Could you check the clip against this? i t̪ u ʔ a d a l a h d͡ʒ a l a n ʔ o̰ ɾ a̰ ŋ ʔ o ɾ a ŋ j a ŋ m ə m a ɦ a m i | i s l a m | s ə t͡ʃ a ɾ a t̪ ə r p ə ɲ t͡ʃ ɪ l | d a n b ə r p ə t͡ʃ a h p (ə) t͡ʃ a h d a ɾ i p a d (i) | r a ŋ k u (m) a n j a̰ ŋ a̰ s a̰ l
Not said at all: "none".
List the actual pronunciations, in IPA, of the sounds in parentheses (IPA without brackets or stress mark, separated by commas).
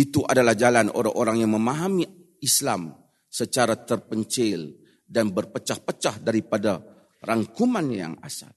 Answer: ə, a, m